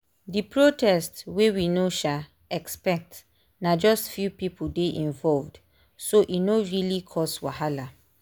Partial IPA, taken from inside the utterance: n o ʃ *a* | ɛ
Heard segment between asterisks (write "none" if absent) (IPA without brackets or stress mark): a